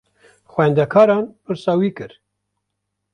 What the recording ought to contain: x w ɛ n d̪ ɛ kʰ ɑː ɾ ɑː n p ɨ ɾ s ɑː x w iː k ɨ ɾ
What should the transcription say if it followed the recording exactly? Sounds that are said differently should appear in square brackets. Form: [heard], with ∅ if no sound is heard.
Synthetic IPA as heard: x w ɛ n d̪ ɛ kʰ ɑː ɾ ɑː n p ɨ ɾ s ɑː [∅] w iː k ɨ ɾ